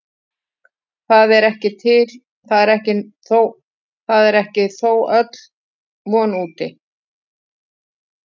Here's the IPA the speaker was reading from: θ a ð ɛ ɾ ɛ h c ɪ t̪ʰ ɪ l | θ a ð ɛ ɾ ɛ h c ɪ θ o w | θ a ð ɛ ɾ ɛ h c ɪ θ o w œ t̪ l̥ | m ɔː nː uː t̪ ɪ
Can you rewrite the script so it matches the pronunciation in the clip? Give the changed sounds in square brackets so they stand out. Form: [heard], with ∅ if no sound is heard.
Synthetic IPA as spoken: θ a ð ɛ ɾ ɛ h c ɪ t̪ʰ ɪ l | θ a ð ɛ ɾ ɛ h c ɪ θ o w | θ a ð ɛ ɾ ɛ h c ɪ θ o w œ t̪ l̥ | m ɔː [n] uː t̪ ɪ

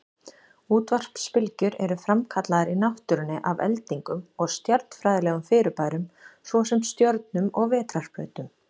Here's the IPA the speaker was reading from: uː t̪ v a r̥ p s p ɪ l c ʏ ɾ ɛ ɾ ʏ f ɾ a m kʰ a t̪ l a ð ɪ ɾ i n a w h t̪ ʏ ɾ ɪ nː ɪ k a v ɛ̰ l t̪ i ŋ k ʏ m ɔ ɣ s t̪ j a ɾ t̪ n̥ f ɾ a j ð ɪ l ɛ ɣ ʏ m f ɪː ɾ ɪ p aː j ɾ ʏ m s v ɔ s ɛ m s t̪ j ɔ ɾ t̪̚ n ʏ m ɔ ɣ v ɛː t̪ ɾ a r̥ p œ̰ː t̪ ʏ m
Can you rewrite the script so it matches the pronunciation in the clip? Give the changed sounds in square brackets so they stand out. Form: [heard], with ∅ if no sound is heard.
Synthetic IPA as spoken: uː t̪ v a r̥ p s p ɪ l c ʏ ɾ ɛ ɾ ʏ f ɾ a m kʰ a t̪ l a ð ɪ ɾ i n a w h t̪ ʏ ɾ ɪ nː ɪ [ʔ] a v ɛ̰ l t̪ i ŋ k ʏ m ɔ ɣ s t̪ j a ɾ t̪ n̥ f ɾ a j ð ɪ l ɛ ɣ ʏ m f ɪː ɾ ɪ p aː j ɾ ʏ m s v ɔ s ɛ m s t̪ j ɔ ɾ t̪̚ n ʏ m ɔ ɣ v ɛː t̪ ɾ a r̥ p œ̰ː t̪ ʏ m

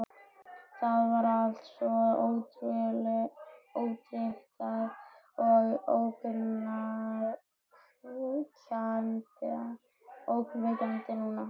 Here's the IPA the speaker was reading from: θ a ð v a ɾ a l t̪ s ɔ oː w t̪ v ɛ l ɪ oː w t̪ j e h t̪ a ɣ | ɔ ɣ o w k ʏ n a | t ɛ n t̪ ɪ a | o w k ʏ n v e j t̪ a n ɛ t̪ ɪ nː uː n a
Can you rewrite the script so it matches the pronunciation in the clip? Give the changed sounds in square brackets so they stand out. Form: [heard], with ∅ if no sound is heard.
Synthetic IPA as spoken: θ a ð v a ɾ a l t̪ s ɔ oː w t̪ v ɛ l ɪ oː w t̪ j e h t̪ a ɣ | ɔ ɣ o w k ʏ n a | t [a] n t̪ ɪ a | o w k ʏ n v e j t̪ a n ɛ t̪ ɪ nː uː n a

